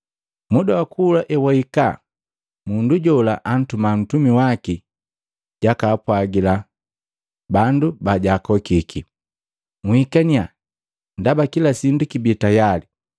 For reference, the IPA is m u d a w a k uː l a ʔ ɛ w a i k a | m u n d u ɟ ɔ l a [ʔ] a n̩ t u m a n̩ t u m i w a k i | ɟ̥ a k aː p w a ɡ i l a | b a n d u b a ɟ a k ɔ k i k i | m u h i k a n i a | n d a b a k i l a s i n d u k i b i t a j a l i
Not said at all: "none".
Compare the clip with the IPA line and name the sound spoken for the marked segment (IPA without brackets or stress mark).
ʔ